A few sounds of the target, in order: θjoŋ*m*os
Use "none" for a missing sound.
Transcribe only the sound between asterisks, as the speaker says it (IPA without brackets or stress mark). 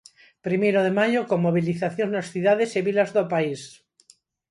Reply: n